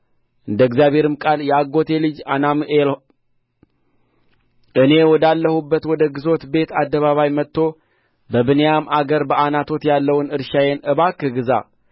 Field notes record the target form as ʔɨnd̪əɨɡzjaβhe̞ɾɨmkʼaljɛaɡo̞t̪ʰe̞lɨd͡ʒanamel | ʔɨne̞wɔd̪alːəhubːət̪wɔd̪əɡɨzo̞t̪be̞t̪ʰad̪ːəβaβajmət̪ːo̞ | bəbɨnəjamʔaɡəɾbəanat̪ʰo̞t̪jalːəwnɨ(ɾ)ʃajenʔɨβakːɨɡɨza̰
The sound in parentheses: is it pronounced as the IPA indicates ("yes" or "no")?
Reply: yes